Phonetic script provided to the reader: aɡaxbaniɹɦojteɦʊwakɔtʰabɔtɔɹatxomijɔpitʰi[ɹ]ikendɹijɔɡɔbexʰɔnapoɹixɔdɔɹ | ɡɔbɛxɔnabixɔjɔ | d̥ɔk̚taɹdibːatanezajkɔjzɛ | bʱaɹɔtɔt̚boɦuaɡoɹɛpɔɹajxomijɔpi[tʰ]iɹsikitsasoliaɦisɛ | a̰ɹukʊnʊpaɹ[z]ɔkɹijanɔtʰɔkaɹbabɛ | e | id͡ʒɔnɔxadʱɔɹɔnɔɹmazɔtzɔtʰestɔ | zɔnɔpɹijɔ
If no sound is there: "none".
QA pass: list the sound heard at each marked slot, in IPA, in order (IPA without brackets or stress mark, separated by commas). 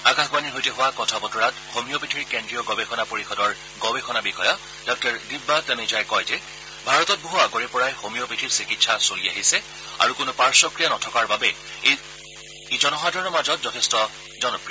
ɹ, tʰ, s